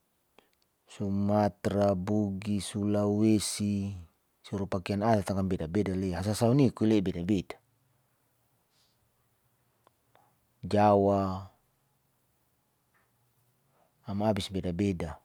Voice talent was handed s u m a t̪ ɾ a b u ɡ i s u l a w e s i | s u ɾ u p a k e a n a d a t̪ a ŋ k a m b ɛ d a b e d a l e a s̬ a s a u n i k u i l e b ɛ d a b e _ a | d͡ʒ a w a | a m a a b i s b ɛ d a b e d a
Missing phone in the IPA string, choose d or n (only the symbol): d